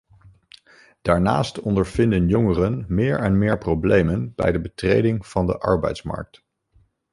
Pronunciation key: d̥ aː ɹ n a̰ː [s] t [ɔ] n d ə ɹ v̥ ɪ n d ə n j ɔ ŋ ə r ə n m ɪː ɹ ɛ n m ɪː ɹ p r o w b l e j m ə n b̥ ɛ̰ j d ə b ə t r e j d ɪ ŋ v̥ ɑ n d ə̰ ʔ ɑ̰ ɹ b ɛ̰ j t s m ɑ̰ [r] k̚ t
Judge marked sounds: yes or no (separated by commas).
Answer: yes, yes, no